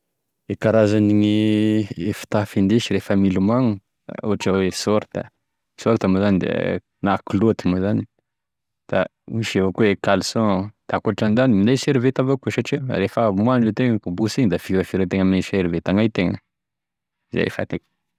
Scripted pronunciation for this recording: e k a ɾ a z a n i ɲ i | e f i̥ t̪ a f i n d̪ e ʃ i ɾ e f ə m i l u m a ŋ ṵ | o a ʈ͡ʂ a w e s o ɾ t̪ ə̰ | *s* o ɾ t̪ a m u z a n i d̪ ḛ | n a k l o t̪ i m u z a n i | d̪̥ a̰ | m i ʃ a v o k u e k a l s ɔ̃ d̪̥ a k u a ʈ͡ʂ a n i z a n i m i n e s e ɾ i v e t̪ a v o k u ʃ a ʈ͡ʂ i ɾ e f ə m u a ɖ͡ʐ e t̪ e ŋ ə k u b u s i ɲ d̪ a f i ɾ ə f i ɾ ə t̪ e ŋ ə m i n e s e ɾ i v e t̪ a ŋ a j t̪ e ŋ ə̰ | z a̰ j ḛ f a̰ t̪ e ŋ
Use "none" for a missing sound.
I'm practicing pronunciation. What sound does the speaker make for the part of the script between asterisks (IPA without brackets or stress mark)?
s